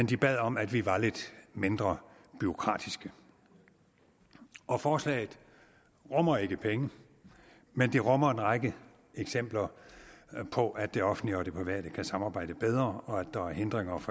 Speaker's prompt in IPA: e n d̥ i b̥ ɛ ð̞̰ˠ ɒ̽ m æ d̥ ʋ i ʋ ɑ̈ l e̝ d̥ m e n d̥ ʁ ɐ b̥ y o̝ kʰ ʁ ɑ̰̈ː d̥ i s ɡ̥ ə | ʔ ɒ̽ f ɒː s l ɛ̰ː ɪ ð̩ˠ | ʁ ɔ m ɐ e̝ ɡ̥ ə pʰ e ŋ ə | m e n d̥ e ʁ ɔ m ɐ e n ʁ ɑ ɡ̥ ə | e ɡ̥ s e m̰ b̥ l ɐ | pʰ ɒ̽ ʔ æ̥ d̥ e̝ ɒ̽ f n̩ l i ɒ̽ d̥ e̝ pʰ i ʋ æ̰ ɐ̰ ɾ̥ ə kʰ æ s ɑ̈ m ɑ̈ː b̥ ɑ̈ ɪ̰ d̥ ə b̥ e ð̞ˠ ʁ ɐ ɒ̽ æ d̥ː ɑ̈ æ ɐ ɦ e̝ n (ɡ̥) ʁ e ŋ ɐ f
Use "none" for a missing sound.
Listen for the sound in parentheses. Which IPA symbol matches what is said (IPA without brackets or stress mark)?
d̥